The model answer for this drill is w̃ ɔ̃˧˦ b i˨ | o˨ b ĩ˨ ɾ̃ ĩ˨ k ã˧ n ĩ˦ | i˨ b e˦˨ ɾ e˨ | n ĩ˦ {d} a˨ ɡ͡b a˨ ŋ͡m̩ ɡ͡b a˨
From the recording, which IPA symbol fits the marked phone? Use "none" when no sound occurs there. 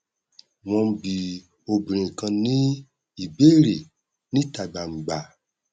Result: t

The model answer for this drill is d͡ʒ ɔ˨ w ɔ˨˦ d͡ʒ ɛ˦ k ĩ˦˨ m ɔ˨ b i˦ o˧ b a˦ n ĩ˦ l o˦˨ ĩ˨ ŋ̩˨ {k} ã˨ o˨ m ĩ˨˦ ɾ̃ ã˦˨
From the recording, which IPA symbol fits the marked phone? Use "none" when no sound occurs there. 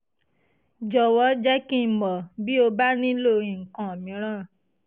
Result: k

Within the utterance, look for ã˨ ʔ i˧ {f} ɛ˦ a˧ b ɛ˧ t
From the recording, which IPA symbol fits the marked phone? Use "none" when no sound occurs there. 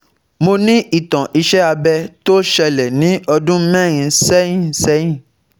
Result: ʃ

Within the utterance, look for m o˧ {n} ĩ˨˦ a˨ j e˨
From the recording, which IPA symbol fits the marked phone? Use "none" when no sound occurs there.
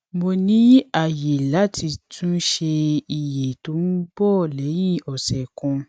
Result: n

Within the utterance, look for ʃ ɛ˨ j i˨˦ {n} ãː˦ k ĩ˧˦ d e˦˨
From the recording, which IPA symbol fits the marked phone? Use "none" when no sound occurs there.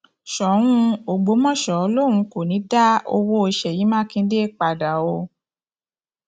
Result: m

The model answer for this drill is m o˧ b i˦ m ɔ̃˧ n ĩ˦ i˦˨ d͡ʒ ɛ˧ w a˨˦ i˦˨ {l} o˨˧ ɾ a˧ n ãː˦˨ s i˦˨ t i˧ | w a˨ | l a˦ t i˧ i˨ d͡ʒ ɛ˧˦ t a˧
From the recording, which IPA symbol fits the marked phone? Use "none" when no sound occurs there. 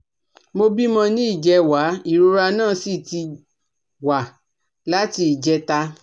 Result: ɾ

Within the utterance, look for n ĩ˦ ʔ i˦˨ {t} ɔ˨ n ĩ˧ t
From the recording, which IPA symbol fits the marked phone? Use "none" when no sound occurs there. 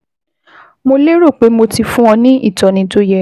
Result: t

